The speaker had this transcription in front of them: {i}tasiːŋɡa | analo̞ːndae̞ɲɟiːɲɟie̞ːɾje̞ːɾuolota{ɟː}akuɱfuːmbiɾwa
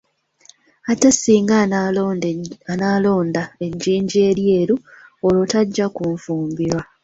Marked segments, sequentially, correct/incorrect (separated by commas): incorrect, correct